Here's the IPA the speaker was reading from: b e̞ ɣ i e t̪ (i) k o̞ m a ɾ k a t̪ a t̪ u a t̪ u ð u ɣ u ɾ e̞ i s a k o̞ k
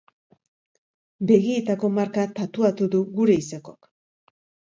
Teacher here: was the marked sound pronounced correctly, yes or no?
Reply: no